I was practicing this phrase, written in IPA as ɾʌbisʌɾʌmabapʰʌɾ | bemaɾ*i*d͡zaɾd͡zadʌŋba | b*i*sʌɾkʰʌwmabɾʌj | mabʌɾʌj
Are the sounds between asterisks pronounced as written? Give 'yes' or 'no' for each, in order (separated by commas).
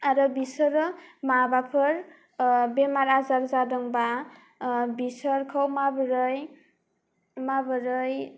no, yes